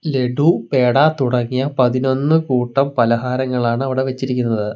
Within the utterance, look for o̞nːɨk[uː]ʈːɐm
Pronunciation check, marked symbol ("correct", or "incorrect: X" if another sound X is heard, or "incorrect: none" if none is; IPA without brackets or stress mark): correct